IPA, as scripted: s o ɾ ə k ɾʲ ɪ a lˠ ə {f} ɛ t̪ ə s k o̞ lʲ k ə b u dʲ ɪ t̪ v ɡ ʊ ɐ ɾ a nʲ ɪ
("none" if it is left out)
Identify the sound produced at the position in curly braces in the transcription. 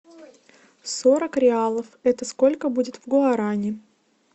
f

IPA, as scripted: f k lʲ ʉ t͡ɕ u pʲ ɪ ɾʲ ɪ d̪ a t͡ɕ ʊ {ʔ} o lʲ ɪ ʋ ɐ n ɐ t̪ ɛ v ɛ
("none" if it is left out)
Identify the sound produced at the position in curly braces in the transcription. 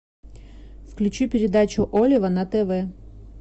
ʔ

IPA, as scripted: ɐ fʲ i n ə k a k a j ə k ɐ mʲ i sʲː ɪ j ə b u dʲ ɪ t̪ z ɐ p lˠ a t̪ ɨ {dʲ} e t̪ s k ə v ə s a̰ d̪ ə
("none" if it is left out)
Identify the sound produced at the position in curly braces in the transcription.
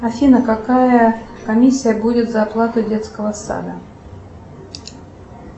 dʲ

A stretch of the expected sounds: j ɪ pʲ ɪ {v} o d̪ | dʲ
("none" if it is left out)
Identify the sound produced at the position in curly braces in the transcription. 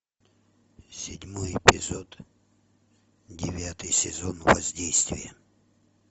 z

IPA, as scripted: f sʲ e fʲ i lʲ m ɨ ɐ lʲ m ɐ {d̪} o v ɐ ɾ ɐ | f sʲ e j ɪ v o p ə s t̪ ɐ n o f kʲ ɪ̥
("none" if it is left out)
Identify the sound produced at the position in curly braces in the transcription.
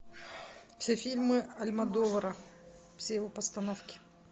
d̪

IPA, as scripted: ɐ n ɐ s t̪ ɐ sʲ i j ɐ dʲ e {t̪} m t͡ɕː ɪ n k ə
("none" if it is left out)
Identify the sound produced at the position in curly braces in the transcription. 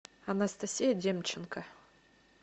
none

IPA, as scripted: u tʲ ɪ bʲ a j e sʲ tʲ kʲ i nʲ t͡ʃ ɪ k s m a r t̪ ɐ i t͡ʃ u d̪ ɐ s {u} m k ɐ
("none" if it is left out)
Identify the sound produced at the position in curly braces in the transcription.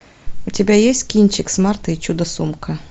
u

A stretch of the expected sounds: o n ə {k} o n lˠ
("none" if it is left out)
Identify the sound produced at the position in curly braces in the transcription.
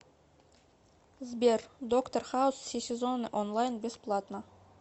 ʔ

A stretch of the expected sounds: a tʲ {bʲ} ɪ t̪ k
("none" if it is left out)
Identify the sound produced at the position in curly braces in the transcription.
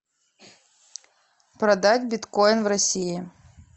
bʲ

